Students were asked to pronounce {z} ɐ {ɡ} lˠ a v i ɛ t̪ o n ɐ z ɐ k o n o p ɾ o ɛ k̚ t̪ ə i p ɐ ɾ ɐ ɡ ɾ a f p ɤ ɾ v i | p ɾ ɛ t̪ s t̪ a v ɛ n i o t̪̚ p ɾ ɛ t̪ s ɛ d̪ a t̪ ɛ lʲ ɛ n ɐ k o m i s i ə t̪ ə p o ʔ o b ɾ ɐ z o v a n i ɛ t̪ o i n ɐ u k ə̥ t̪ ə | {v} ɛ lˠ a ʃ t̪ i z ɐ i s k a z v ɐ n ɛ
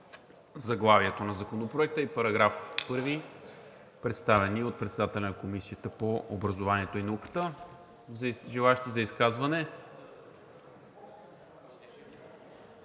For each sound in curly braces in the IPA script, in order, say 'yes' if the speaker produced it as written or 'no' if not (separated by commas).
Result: yes, yes, no